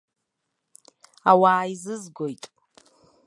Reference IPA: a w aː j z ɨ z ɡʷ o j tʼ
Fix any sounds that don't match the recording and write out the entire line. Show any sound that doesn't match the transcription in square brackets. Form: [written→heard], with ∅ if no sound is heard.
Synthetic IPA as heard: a w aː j z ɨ z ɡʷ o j tʼ